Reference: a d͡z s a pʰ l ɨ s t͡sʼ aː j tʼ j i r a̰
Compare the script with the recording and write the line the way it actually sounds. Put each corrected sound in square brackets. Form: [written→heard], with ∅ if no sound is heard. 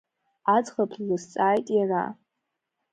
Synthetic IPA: a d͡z [s→χ] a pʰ l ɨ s t͡sʼ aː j tʼ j [i→a] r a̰